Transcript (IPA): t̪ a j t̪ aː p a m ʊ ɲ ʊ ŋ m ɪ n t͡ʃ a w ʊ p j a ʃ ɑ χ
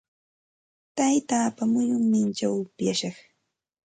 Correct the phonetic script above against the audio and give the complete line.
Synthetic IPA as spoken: t̪ a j t̪ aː p a m ʊ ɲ ʊ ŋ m ɪ n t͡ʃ a w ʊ p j a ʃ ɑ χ

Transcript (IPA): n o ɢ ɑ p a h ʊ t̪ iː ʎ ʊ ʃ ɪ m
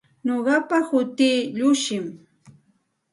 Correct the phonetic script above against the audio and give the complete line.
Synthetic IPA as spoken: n o ɢ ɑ p a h ʊ t̪ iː ʎ ʊ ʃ ɪ m

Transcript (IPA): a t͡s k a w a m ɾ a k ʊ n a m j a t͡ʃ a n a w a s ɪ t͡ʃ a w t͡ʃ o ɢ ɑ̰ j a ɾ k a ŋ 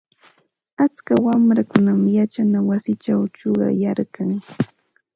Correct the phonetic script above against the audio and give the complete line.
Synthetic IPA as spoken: a t͡s k a w a m ɾ a k ʊ n a m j a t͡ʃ a n a w a s ɪ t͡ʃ a w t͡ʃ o ɢ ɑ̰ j a ɾ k a ŋ

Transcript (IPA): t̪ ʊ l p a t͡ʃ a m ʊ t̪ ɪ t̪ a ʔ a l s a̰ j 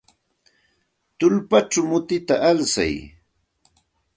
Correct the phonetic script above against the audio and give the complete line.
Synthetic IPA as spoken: t̪ ʊ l p a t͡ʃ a m ʊ t̪ ɪ t̪ a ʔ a l s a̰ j

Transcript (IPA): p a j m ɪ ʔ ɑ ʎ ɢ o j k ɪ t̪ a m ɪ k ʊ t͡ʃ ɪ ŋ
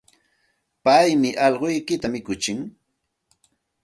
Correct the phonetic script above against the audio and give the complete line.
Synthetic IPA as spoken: p a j m ɪ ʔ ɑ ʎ ɢ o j k ɪ t̪ a m ɪ k ʊ t͡ʃ ɪ ŋ

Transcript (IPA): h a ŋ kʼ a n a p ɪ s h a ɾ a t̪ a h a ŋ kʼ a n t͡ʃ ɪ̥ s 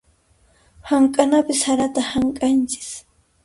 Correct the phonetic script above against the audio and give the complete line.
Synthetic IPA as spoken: h a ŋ kʼ a n a p ɪ s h a ɾ a t̪ a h a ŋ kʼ a n t͡ʃ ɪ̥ s

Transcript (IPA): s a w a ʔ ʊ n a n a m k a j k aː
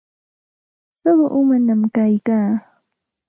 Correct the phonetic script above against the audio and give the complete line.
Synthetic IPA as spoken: s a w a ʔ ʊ m a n a m k a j k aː

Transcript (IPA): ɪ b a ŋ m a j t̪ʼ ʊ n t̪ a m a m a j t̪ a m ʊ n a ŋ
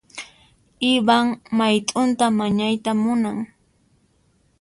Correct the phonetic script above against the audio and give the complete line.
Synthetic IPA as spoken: ɪ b a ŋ m a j t̪ʼ ʊ n t̪ a m a ɲ a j t̪ a m ʊ n a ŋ

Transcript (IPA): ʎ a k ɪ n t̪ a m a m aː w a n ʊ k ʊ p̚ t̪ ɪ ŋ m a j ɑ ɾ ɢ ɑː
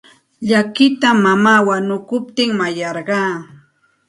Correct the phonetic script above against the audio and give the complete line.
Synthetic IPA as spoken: ʎ a k ɪ t̪ a m a m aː w a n ʊ k ʊ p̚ t̪ ɪ ŋ m a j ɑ ɾ ɢ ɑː

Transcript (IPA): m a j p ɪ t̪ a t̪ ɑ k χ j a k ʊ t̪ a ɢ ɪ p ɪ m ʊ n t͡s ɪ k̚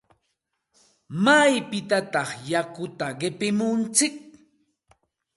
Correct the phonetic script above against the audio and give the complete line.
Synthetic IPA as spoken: m a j p ɪ t̪ a t̪ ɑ χ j a k ʊ t̪ a ɢ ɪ p ɪ m ʊ n t͡s ɪ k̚

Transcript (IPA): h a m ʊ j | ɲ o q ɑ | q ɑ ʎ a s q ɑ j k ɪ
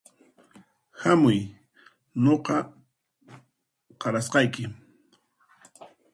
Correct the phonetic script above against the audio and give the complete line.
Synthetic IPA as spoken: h a m ʊ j | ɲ o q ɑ | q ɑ ɾ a s q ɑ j k ɪ

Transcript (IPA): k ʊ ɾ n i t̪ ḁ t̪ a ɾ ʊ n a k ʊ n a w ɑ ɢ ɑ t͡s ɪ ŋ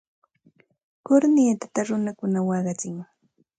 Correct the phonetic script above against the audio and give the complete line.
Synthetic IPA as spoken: k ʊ ɾ n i t̪ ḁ t̪ a ɾ ʊ n a k ʊ n a w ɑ ɢ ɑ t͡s ɪ ŋ

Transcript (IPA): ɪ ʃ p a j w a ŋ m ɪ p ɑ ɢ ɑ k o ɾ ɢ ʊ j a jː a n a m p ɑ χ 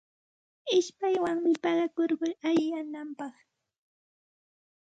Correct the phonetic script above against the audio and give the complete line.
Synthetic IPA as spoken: ɪ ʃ p a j w a ŋ m ɪ p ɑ ɢ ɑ k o ɾ ɢ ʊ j a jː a n a m p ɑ χ

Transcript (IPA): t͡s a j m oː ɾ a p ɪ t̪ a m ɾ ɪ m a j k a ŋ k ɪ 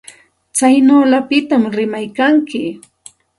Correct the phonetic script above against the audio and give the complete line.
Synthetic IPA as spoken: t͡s a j n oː l a p ɪ t̪ a m ɾ ɪ m a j k a ŋ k ɪ

